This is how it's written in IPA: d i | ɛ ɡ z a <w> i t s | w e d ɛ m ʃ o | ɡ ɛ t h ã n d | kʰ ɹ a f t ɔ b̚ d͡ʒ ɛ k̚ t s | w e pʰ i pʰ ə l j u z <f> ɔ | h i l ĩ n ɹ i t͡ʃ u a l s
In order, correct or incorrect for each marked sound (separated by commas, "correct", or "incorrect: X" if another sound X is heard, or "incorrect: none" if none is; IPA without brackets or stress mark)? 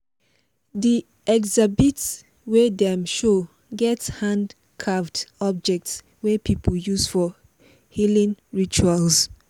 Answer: incorrect: b, correct